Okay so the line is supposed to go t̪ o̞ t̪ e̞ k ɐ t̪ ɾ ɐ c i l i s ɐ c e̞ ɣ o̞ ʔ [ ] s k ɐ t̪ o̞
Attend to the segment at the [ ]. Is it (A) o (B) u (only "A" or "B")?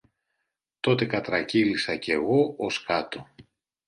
A